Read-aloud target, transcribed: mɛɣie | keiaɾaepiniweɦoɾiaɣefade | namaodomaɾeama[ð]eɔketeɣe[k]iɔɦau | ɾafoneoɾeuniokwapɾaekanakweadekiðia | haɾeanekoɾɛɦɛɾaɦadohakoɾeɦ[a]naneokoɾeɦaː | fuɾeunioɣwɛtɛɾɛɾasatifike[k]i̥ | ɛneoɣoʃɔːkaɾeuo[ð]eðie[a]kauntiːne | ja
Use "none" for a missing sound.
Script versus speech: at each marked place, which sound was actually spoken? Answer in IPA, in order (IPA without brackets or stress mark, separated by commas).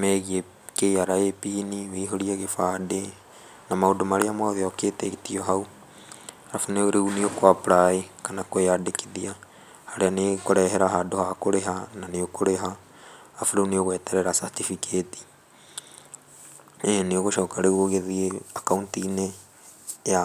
ð, t, a, t, ɣ, a